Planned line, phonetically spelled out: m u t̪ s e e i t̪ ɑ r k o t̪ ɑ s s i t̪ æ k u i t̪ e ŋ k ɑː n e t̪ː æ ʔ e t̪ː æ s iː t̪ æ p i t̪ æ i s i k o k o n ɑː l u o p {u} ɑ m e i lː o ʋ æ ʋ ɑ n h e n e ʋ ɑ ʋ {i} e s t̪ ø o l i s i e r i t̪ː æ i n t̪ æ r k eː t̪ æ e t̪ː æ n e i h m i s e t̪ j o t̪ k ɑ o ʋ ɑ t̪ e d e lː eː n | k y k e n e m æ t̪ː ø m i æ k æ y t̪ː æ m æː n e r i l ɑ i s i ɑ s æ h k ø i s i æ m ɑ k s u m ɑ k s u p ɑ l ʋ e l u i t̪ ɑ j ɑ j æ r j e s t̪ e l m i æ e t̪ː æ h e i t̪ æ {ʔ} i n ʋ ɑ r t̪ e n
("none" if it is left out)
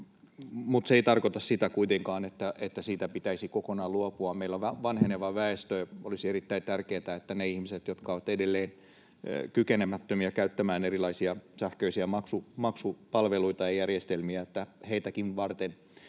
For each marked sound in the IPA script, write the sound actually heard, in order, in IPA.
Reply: u, æ, k

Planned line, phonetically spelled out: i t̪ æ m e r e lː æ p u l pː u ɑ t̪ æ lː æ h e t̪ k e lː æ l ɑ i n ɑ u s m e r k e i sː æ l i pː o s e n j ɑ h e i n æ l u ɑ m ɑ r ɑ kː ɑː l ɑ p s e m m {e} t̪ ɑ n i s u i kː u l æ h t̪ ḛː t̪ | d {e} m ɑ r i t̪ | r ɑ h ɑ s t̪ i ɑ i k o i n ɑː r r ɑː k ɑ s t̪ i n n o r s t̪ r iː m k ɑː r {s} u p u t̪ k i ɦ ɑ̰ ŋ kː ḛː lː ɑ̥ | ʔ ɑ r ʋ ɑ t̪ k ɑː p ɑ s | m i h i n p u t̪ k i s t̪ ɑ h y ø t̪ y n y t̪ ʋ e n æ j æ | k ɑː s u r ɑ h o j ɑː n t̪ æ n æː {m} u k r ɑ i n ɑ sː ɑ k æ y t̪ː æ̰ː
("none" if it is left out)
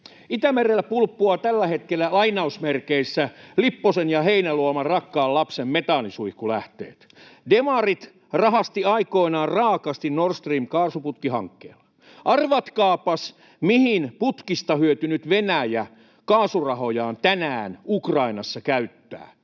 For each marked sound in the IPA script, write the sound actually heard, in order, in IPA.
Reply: e, e, s, n

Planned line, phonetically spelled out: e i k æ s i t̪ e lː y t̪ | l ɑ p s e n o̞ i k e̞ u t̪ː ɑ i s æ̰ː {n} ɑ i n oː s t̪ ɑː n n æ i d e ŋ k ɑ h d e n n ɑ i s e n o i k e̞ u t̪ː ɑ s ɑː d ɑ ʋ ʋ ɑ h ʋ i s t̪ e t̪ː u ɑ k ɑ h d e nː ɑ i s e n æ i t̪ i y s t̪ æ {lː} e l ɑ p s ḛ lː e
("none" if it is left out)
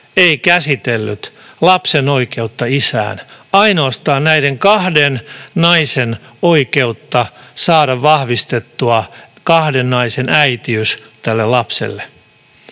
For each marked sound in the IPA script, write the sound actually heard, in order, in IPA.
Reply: n, lː

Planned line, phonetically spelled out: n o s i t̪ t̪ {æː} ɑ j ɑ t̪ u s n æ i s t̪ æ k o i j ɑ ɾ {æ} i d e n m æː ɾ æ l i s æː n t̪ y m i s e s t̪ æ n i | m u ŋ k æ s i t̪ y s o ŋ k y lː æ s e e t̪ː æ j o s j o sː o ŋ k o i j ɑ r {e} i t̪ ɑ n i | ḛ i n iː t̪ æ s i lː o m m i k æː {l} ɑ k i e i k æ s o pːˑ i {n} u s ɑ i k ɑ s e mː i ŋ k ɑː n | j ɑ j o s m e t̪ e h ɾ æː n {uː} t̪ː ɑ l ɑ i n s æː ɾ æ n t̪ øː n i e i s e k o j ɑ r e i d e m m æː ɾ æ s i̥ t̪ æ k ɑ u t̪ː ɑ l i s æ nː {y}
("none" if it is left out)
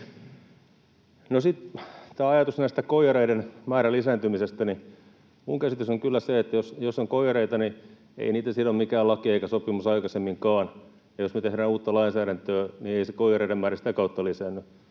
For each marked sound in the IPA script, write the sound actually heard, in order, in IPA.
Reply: æː, e, e, l, m, uː, y

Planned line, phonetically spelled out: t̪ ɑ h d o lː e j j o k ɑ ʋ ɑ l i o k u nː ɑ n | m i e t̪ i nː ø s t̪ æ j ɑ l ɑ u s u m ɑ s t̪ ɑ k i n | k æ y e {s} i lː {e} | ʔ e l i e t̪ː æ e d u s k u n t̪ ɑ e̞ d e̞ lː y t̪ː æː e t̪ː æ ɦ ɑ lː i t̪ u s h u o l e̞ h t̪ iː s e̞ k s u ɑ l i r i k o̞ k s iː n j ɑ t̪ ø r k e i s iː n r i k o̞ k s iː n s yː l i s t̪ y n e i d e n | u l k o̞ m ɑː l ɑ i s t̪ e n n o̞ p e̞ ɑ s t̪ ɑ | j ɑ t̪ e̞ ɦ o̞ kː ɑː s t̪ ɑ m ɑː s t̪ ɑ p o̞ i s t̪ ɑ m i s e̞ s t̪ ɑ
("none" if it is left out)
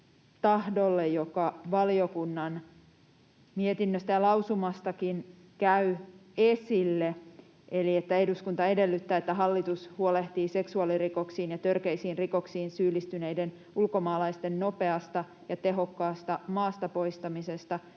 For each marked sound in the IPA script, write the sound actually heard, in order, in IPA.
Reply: s, e

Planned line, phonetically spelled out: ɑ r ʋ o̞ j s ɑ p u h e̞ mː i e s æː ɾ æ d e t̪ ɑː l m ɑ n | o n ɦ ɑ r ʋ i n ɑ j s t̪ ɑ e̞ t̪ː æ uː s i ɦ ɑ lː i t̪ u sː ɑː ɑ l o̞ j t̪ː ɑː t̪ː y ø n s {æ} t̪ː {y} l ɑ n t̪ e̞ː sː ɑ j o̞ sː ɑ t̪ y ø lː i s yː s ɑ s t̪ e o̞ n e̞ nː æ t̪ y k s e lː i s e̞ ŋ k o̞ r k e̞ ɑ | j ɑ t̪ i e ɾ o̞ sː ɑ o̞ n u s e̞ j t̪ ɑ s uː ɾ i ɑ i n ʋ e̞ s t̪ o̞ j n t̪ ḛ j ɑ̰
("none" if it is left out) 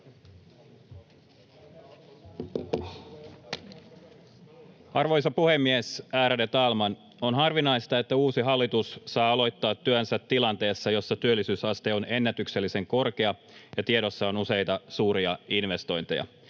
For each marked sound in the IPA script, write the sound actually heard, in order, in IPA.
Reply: æ, i

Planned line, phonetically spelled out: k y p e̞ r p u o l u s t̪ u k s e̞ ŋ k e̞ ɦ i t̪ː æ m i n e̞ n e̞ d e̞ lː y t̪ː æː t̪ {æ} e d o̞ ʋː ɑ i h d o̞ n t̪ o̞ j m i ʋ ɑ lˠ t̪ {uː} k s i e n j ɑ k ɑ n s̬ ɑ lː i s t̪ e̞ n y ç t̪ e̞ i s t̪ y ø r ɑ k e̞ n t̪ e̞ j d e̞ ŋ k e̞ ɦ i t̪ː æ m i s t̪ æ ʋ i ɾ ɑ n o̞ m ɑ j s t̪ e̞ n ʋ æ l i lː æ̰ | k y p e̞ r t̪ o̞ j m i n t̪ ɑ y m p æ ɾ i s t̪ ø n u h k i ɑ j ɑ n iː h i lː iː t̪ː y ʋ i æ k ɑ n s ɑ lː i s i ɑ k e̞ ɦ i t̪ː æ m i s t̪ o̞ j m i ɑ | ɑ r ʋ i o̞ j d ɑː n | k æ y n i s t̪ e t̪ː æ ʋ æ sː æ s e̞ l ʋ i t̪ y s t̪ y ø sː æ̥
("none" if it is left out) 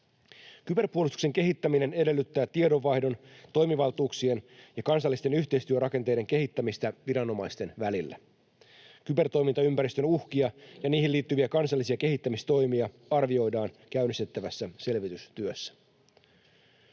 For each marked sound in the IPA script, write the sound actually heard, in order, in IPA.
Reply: i, uː

